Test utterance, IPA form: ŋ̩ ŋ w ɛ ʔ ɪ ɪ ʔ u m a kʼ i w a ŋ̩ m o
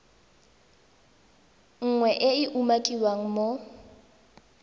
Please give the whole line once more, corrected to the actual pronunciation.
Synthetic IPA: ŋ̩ ŋ w ɛ ʔ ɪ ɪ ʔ u m a kʼ i w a ŋ̩ m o